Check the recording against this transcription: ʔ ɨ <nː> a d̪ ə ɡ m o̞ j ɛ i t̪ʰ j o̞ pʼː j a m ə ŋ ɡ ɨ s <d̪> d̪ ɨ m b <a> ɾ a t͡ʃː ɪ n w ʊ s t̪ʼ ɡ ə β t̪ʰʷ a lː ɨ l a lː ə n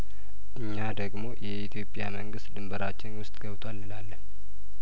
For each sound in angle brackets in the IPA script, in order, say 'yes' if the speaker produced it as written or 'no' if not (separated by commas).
no, no, no